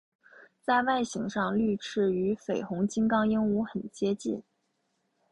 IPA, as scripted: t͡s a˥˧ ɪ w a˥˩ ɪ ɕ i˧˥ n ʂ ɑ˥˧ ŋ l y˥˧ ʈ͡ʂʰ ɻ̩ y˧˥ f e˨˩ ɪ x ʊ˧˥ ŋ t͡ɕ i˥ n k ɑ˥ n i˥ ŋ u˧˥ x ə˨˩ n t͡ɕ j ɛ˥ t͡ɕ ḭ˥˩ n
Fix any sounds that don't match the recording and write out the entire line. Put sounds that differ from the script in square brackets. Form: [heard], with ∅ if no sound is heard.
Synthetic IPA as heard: t͡s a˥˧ ɪ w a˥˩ ɪ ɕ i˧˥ [ŋ] ʂ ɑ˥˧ ŋ l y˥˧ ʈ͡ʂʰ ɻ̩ y˧˥ f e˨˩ ɪ x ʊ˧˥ ŋ t͡ɕ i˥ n k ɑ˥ [ŋ] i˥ ŋ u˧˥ x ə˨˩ n t͡ɕ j ɛ˥ t͡ɕ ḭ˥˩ n

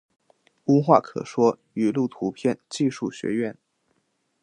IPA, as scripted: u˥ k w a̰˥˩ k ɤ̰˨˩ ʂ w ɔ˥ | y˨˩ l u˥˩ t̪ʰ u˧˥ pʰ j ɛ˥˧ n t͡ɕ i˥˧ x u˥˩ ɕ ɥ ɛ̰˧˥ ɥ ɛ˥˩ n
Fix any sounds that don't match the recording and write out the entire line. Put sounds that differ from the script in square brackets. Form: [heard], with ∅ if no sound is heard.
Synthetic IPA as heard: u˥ [x] w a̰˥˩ [kʰ] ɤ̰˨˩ ʂ w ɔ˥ | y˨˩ l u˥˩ t̪ʰ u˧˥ pʰ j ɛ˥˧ n t͡ɕ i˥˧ [ʂ] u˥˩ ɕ ɥ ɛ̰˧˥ ɥ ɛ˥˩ n

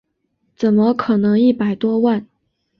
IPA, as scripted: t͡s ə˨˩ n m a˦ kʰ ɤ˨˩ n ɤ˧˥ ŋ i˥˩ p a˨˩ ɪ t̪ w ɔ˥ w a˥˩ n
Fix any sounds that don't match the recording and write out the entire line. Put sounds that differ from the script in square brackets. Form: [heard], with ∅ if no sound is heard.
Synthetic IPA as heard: t͡s ə˨˩ n m [ə˦] kʰ ɤ˨˩ n ɤ˧˥ ŋ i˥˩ p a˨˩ ɪ t̪ w ɔ˥ w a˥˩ n

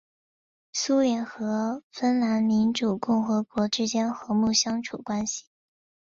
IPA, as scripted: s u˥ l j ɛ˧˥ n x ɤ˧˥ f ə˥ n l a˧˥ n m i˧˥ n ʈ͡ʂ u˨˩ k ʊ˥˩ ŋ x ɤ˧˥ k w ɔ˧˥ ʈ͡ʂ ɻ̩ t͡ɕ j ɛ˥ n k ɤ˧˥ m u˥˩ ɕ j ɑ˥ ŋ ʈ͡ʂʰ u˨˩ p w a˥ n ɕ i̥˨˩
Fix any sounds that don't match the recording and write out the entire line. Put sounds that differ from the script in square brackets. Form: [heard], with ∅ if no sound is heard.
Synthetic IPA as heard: s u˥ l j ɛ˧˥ n x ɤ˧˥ f ə˥ n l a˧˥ n m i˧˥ n ʈ͡ʂ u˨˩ k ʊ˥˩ ŋ x ɤ˧˥ k w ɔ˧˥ ʈ͡ʂ ɻ̩ t͡ɕ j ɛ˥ n [x] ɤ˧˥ m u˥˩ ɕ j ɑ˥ ŋ ʈ͡ʂʰ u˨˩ [k] w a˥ n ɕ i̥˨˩

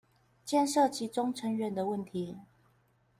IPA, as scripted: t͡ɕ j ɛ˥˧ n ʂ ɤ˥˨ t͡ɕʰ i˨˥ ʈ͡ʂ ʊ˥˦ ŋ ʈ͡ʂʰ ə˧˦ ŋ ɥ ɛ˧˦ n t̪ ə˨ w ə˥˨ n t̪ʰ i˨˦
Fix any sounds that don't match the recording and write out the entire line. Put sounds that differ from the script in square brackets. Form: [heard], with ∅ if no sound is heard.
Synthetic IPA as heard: t͡ɕ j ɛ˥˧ n ʂ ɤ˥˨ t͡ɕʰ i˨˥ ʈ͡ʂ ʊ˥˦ ŋ ʈ͡ʂʰ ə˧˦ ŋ ɥ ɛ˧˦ n [d̪] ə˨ w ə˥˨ n t̪ʰ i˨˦

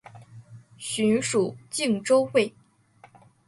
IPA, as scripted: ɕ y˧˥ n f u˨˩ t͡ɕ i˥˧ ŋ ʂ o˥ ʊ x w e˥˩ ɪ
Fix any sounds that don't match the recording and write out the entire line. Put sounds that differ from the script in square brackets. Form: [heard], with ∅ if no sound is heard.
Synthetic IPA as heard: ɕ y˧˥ n [ʂ] u˨˩ t͡ɕ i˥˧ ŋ [ʈ͡ʂ] o˥ ʊ x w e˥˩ ɪ

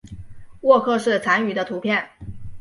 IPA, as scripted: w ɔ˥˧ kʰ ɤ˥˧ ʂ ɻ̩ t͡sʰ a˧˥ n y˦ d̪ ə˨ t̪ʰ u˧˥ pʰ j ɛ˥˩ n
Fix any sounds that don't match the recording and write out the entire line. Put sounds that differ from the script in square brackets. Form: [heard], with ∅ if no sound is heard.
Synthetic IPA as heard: w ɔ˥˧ kʰ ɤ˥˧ ʂ ɻ̩ t͡sʰ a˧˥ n [y˨˩] d̪ [ə˦] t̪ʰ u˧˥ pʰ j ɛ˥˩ n

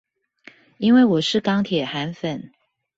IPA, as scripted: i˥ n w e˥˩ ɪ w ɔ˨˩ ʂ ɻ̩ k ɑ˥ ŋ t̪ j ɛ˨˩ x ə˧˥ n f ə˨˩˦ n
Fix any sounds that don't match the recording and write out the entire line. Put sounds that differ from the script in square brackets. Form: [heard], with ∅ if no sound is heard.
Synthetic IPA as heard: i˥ n w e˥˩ ɪ w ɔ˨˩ ʂ ɻ̩ k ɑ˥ ŋ [t̪ʰ] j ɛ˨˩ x [a˧˥] n f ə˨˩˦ n

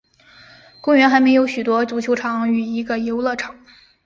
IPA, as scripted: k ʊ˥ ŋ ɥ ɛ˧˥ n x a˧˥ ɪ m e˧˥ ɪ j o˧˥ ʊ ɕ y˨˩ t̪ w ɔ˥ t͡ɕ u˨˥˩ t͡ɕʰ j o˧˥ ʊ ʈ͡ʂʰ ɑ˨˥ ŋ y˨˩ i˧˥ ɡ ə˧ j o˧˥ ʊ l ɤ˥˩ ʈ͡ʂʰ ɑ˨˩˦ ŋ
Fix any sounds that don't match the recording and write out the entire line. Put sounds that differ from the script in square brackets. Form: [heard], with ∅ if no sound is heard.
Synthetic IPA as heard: k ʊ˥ ŋ ɥ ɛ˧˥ n x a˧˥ ɪ m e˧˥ ɪ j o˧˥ ʊ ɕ y˨˩ t̪ w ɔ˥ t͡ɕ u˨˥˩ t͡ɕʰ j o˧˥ ʊ ʈ͡ʂʰ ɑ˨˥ ŋ y˨˩ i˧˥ ɡ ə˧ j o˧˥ ʊ l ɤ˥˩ ʈ͡ʂʰ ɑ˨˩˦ ŋ

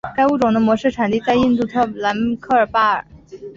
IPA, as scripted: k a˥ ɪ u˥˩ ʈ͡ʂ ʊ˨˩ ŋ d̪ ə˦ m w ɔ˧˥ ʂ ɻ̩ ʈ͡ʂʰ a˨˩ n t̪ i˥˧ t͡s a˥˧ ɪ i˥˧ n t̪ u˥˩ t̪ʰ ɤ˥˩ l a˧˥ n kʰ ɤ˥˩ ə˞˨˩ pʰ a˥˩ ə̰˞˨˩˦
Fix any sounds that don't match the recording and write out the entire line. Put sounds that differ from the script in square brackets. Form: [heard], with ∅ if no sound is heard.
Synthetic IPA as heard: k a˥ ɪ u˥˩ ʈ͡ʂ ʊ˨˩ ŋ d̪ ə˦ m w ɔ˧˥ ʂ ɻ̩ ʈ͡ʂʰ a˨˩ n t̪ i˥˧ t͡s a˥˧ ɪ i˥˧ n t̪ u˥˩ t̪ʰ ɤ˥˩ l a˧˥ n kʰ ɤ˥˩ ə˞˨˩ [p] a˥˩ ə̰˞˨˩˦

